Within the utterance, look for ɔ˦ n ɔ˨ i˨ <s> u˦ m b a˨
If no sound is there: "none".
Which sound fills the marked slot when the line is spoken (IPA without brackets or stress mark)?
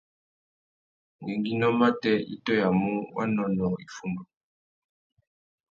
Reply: f